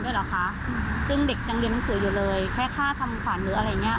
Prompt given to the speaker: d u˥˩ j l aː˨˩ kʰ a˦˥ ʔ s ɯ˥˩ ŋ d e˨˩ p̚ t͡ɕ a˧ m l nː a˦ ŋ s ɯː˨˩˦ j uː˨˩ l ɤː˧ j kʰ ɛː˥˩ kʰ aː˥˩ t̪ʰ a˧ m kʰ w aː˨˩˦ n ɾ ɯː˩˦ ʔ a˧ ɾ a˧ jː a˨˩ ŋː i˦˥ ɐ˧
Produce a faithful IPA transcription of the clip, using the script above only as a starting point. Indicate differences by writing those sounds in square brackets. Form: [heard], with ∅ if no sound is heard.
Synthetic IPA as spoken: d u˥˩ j l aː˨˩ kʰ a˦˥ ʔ s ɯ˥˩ ŋ d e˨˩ [k̚] t͡ɕ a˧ [ŋ] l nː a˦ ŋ s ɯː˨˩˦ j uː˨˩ l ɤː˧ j kʰ ɛː˥˩ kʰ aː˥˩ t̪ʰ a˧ m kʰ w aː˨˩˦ n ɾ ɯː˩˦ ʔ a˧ ɾ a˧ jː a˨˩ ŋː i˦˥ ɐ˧

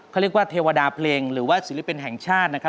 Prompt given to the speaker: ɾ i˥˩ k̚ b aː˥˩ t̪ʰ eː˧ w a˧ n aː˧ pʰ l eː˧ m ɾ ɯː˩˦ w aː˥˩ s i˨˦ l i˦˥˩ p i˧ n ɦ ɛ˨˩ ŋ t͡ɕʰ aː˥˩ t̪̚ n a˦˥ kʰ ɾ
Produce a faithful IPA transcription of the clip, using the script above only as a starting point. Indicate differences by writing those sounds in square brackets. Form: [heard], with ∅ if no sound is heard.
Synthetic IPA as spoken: ɾ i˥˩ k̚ [w] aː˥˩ t̪ʰ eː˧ w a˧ [d] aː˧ pʰ l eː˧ [ŋ] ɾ ɯː˩˦ w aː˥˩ s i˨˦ l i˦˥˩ p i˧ n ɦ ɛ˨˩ ŋ t͡ɕʰ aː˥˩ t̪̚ n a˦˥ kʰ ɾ

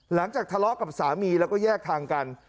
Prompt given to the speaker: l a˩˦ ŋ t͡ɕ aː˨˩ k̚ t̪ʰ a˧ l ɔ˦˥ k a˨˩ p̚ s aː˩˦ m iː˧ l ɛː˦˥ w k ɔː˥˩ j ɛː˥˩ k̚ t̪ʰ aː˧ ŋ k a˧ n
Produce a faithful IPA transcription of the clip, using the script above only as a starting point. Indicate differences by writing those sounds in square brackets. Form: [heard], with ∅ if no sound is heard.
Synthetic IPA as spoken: l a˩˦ ŋ t͡ɕ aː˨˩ k̚ t̪ʰ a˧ l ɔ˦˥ k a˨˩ p̚ s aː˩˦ m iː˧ l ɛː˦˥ w k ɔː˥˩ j ɛː˥˩ k̚ t̪ʰ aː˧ ŋ k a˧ n

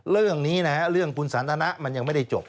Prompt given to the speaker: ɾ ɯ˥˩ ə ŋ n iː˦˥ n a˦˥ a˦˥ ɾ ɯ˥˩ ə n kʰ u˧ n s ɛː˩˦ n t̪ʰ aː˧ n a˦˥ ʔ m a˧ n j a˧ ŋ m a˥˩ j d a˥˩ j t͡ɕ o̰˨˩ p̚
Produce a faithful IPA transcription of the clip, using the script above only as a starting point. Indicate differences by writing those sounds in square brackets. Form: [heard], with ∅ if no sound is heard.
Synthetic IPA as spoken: ɾ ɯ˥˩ ə ŋ n iː˦˥ n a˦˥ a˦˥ ɾ ɯ˥˩ ə [ŋ] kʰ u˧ n s [aː˩˦] n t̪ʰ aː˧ n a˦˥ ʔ m a˧ n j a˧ ŋ m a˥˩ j d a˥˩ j t͡ɕ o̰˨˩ p̚

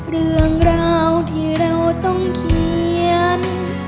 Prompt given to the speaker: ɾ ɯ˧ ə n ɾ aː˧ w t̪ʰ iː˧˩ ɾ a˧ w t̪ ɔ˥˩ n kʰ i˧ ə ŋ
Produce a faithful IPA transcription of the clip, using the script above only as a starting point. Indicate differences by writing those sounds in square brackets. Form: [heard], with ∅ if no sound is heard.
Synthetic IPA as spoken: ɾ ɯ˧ ə [ŋ] ɾ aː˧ w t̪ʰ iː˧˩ ɾ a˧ w t̪ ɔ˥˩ [ŋ] kʰ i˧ ə [n]

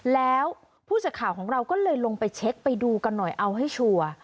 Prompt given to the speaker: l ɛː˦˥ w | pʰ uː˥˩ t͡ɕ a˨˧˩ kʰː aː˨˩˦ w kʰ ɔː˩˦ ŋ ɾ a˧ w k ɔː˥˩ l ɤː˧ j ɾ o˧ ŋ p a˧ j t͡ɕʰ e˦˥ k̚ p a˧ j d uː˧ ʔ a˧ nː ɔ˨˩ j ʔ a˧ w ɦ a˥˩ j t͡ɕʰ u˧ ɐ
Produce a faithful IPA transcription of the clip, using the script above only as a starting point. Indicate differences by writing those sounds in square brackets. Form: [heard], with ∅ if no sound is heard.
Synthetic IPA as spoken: l ɛː˦˥ w | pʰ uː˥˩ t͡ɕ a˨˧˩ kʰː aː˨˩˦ w kʰ ɔː˩˦ ŋ ɾ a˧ w k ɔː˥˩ l ɤː˧ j [l] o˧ ŋ p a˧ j t͡ɕʰ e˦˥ k̚ p a˧ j d uː˧ [k] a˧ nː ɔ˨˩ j ʔ a˧ w ɦ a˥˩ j t͡ɕʰ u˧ ɐ

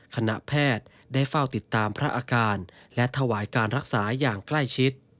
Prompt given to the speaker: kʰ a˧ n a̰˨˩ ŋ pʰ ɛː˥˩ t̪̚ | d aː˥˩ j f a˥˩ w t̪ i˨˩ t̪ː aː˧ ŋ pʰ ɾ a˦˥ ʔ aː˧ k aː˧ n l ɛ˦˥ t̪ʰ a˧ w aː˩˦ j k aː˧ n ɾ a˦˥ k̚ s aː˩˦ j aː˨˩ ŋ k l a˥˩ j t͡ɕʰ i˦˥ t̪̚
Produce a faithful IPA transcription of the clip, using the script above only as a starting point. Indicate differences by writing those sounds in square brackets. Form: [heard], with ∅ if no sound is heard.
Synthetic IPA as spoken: kʰ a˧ n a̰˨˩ [∅] pʰ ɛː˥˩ t̪̚ | d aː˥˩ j f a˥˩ w t̪ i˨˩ t̪ː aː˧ [m] pʰ ɾ a˦˥ ʔ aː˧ k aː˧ n l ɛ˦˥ t̪ʰ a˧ w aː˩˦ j k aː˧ n ɾ a˦˥ k̚ s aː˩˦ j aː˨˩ ŋ k l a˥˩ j t͡ɕʰ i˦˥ t̪̚

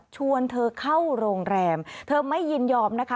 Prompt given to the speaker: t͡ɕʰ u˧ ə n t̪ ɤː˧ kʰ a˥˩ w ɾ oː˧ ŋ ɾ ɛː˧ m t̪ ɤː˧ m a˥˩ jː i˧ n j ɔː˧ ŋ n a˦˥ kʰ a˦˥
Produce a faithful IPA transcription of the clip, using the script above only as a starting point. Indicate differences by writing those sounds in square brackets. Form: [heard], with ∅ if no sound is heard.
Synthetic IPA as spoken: t͡ɕʰ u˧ ə n [t̪ʰ] ɤː˧ kʰ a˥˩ w ɾ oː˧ ŋ ɾ ɛː˧ m [t̪ʰ] ɤː˧ m a˥˩ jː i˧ n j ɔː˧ [m] n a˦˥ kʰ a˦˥

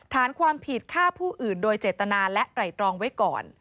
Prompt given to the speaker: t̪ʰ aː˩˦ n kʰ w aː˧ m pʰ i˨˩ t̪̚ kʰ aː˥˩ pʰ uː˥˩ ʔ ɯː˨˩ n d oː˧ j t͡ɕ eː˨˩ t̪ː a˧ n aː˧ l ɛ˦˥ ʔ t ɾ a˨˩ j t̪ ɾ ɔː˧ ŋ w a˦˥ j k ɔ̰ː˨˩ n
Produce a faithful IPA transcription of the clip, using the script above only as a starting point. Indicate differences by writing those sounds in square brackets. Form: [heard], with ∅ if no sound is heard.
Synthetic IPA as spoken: t̪ʰ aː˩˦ n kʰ w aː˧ m pʰ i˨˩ t̪̚ kʰ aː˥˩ pʰ uː˥˩ ʔ ɯː˨˩ n d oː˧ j t͡ɕ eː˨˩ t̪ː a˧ n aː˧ l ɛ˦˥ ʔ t ɾ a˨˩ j t̪ ɾ ɔː˧ ŋ w a˦˥ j k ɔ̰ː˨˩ n

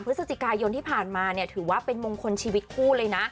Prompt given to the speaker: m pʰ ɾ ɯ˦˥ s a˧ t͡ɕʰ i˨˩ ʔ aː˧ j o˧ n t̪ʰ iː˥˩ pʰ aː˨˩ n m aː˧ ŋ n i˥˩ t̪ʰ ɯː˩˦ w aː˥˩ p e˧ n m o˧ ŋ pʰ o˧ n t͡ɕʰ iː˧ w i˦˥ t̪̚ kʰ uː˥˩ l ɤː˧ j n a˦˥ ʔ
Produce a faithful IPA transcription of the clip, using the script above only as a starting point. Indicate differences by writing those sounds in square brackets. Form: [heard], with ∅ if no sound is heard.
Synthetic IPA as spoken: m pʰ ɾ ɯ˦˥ s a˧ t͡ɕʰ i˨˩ [k] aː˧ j o˧ n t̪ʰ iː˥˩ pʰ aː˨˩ n m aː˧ [∅] n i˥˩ t̪ʰ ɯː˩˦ w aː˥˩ p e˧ n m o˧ ŋ [kʰ] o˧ n t͡ɕʰ iː˧ w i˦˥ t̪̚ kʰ uː˥˩ l ɤː˧ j n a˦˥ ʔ

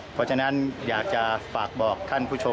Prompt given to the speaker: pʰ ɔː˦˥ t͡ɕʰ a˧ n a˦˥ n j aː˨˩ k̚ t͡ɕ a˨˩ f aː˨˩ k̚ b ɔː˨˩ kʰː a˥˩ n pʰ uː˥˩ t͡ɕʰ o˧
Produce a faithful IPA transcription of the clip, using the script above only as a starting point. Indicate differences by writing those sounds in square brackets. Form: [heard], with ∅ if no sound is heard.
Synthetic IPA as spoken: pʰ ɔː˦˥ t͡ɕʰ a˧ n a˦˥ n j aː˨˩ k̚ t͡ɕ a˨˩ f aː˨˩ k̚ b ɔː˨˩ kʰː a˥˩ n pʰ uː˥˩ t͡ɕʰ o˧

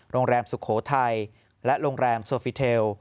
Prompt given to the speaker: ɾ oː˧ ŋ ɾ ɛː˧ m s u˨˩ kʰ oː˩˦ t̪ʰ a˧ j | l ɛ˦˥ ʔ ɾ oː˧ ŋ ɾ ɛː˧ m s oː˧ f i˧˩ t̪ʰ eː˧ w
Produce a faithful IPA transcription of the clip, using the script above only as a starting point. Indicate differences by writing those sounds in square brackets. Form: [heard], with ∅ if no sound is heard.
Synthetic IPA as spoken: ɾ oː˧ ŋ ɾ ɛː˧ m s u˨˩ kʰ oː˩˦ t̪ʰ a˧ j | l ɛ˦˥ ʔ ɾ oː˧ ŋ ɾ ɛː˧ m s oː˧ f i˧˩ t̪ʰ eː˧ w

